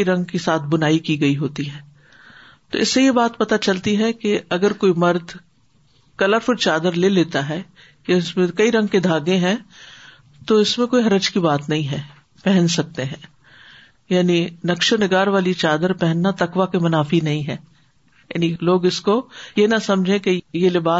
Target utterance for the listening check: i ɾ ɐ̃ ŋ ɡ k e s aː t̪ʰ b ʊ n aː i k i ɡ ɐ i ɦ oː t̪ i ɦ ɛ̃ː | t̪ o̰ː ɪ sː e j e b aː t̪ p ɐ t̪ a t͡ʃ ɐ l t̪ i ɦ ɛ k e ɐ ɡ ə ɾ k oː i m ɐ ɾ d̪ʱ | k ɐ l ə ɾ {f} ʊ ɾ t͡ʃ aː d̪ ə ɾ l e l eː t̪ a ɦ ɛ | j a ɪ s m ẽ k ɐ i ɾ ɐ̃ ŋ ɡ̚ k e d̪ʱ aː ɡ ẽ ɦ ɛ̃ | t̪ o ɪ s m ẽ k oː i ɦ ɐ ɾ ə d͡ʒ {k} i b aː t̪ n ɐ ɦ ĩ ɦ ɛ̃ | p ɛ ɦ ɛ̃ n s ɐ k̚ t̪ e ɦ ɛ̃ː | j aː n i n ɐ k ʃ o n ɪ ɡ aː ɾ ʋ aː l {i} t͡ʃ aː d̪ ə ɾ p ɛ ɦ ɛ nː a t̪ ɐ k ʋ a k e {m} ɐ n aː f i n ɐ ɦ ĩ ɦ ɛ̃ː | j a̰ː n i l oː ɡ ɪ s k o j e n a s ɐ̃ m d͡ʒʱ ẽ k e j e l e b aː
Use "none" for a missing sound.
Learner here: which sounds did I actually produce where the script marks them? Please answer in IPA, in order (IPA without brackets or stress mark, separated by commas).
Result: f, k, i, m